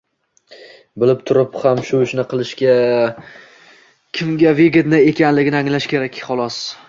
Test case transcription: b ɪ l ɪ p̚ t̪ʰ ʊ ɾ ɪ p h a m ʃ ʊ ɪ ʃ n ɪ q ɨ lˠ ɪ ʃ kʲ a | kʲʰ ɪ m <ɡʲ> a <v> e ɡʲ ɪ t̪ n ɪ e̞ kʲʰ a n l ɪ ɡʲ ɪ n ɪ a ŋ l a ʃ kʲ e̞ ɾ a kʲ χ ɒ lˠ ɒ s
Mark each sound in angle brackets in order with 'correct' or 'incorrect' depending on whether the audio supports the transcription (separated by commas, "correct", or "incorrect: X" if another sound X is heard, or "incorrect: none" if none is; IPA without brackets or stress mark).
correct, correct